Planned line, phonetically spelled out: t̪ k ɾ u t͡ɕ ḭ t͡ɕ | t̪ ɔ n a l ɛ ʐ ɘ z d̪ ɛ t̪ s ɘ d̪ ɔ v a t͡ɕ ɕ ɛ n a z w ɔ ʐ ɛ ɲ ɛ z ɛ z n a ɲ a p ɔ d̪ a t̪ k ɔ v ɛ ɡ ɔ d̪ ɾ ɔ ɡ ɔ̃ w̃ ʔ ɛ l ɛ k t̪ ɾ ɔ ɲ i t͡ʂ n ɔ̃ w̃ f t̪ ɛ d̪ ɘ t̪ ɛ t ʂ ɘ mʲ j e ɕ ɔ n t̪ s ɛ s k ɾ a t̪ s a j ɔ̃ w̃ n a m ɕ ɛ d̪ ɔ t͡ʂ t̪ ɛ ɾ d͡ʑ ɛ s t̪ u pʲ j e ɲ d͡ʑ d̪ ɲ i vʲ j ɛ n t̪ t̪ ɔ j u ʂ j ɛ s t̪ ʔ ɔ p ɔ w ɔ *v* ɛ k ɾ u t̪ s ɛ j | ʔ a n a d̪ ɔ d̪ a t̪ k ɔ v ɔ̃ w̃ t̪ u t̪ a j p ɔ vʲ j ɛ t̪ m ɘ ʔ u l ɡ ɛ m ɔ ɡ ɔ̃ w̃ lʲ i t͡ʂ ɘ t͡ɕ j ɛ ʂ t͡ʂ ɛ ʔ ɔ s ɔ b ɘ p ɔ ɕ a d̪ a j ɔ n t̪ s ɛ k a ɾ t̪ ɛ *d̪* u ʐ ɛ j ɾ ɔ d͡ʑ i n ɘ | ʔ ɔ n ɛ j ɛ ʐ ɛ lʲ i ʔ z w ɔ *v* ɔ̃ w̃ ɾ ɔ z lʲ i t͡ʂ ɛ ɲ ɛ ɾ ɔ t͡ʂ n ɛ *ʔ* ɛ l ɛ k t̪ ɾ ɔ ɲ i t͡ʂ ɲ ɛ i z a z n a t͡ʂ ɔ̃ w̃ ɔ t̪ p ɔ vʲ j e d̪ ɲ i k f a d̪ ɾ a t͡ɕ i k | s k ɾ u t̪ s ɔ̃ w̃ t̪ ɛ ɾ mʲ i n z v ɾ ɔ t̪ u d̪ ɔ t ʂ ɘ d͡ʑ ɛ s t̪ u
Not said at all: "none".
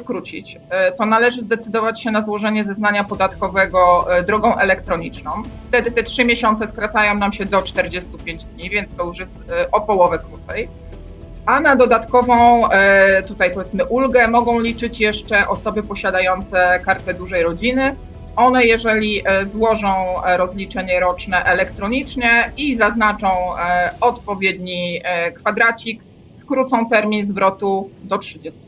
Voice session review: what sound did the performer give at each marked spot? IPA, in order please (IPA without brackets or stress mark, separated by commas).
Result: v, d̪, ʐ, ʔ